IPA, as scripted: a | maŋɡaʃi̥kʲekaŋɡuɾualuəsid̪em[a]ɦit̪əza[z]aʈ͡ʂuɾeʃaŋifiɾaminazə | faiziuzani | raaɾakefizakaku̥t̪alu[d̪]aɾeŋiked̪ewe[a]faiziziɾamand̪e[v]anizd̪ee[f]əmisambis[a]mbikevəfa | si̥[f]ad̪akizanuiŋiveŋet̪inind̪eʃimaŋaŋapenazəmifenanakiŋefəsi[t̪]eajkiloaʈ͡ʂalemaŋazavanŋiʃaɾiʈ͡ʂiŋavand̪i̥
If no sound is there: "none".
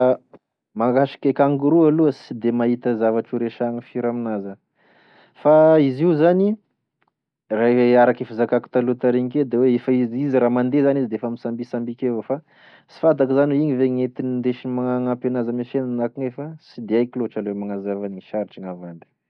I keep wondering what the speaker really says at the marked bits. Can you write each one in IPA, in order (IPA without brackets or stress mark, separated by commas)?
a, v, t̪, e, z, f, a, f, d̪